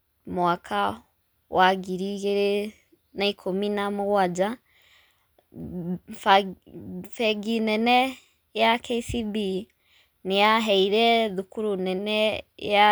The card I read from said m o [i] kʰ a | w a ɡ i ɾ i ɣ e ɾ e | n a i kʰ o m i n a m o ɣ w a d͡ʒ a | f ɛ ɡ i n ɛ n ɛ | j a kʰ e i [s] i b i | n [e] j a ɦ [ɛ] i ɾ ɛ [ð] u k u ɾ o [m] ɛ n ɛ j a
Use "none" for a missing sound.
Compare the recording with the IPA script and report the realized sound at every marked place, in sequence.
a, s, e, ɛ, ð, n

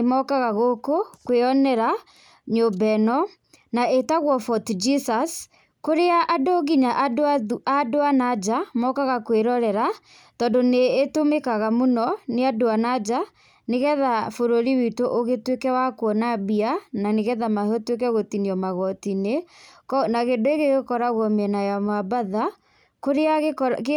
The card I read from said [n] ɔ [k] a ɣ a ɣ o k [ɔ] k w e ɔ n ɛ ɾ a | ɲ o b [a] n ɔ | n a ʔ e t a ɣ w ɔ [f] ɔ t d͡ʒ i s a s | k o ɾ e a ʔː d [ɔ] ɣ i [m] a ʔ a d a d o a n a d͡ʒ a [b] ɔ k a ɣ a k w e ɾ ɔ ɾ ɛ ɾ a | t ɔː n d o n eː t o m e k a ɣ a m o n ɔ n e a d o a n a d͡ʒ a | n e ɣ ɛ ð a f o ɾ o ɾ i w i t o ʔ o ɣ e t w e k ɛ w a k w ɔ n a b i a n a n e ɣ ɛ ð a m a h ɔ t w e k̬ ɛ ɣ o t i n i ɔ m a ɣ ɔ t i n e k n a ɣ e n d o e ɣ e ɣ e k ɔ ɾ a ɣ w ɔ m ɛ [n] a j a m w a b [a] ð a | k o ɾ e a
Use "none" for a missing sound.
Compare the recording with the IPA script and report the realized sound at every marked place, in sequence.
m, k, o, ɛ, f, o, ɲ, m, n, a

